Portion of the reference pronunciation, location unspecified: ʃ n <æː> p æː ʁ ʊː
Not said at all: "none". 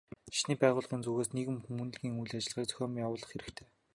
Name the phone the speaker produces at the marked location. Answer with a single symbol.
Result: iː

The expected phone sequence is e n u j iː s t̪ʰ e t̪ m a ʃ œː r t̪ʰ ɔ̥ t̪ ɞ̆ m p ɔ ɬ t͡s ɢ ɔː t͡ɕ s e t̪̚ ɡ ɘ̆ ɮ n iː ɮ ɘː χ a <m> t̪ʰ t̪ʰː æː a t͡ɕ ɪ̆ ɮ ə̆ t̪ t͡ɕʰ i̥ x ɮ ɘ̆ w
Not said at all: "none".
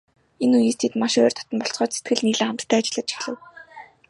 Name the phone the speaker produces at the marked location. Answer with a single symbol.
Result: m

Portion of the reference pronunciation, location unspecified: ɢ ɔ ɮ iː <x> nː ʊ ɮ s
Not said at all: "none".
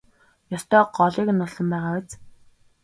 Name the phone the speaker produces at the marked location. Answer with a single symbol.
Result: k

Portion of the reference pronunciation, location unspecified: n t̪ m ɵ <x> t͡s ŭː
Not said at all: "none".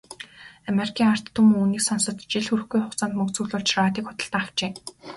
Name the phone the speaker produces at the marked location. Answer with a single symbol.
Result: k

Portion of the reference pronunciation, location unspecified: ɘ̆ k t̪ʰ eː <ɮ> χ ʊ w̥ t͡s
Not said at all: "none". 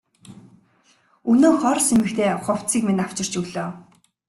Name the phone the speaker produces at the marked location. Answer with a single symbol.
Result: none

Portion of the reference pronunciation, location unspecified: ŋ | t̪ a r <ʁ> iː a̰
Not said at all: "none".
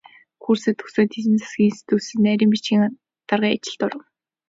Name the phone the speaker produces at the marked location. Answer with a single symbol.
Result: ʁ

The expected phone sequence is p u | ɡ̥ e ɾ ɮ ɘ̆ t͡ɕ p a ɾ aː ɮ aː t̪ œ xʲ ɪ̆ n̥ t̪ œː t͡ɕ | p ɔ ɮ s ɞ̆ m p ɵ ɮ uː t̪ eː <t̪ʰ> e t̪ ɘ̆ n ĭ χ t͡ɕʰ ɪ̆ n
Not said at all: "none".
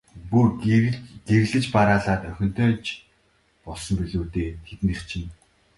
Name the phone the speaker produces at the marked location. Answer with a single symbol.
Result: t̪ʰ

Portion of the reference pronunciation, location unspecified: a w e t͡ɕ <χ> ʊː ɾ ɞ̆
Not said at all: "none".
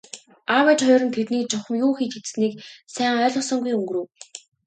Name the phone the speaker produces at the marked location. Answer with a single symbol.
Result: χ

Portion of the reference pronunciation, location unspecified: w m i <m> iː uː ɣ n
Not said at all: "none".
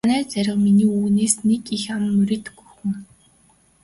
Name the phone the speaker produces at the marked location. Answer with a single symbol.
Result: n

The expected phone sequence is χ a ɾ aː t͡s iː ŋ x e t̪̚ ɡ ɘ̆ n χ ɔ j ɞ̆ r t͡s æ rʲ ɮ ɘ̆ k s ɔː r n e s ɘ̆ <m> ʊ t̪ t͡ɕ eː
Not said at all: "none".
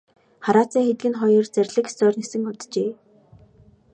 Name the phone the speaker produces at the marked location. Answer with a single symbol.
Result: ŋ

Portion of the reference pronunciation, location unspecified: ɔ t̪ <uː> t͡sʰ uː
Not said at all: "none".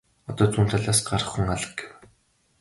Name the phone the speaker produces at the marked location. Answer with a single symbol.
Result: ɔː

